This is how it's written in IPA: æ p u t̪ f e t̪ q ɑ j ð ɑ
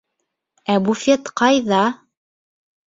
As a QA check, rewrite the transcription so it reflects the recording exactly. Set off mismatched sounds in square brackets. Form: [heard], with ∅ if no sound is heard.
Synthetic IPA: æ [b] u [∅] f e t̪ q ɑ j ð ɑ